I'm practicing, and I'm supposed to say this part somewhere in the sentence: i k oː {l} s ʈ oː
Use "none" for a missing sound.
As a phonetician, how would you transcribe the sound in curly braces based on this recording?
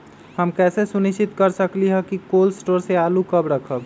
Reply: l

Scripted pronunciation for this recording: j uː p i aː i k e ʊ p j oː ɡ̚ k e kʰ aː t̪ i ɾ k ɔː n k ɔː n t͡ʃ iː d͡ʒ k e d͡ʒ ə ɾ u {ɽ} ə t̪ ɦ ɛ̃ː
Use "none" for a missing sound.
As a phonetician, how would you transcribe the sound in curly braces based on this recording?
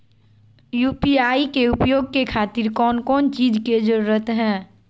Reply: ɾ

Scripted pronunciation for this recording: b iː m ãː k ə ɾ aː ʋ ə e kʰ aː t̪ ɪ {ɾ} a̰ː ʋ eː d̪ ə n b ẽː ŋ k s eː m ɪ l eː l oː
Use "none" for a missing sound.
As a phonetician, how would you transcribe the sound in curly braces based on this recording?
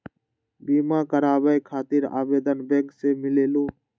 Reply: ɾ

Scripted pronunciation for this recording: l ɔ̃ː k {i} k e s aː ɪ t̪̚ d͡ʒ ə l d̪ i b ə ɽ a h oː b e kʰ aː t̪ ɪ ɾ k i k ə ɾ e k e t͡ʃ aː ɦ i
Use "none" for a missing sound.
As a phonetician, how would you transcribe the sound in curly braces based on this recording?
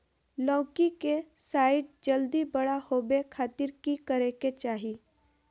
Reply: i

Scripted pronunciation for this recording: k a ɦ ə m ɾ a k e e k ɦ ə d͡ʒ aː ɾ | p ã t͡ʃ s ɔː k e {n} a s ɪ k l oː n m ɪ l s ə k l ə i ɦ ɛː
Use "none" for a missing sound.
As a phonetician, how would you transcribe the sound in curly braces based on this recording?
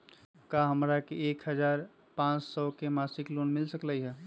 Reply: m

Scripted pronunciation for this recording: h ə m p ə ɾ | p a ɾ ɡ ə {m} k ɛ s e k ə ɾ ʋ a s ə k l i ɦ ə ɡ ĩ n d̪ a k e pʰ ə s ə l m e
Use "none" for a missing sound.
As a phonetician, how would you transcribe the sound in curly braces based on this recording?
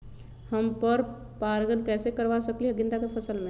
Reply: n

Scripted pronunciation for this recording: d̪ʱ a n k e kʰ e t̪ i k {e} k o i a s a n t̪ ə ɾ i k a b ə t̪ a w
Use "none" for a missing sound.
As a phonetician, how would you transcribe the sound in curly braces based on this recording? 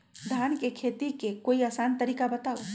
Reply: e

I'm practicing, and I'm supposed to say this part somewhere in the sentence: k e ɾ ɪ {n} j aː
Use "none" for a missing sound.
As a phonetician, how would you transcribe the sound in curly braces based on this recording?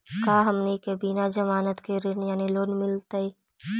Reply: n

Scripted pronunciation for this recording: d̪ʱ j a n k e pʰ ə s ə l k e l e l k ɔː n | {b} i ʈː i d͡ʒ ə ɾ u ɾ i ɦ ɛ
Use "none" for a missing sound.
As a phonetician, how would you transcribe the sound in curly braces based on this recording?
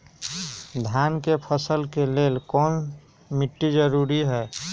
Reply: m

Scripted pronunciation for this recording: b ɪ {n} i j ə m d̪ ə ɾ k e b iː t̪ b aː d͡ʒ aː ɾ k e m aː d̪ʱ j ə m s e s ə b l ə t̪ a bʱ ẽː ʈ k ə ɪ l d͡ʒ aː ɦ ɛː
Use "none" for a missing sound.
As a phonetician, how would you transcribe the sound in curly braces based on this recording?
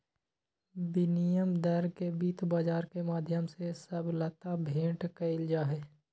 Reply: n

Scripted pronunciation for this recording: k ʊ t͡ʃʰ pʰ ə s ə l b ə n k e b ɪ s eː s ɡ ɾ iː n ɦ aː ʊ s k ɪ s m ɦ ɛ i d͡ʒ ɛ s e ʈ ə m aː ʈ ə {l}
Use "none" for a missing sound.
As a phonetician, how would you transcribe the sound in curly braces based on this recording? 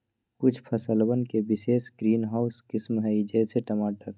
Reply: ɾ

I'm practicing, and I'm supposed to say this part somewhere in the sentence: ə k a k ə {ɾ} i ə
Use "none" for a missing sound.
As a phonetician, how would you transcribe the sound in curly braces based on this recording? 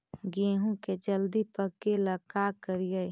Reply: ɾ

